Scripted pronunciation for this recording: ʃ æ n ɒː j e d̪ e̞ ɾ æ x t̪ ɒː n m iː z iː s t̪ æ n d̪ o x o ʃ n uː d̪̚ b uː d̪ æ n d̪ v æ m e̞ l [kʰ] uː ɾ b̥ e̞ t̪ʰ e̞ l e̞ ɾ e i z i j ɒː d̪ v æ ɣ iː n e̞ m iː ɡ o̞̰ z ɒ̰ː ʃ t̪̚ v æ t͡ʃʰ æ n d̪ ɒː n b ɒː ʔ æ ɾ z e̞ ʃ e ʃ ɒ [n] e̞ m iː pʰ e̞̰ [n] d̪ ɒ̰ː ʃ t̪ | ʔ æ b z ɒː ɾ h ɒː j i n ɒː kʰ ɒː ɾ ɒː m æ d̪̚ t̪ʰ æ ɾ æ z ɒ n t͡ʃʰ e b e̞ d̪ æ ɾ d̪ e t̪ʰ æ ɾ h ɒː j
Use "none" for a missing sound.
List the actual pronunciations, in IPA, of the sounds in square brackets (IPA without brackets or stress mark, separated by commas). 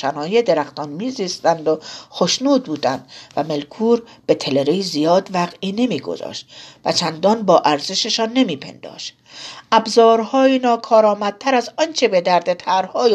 kʰ, nː, n